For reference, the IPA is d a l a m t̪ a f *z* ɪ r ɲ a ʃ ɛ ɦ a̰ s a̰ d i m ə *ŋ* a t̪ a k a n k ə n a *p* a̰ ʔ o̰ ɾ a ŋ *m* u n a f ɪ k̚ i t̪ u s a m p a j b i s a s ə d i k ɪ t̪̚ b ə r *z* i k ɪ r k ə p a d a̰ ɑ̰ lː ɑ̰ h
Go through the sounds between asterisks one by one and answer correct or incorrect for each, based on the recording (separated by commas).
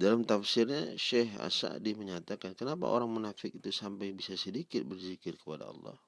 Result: incorrect, incorrect, correct, correct, correct